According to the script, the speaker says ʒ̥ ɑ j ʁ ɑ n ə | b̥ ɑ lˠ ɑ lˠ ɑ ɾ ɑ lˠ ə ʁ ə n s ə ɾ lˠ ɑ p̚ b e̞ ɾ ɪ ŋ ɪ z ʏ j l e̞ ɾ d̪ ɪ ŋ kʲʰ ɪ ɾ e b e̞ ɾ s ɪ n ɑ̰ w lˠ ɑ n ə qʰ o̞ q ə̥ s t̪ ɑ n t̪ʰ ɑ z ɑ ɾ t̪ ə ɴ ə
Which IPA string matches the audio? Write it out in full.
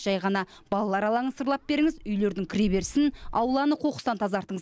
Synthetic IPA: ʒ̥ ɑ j ʁ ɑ n ɑ | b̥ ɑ lˠ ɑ lˠ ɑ ɾ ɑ lˠ ɑ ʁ ə n s ə ɾ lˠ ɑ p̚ b e̞ ɾ ɪ ŋ ɪ z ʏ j l e̞ ɾ d̪ ɪ ŋ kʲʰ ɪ ɾ e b e̞ ɾ s ɪ n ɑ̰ w lˠ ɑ n ə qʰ o̞ q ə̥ s t̪ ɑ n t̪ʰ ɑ z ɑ ɾ t̪ ə ɴ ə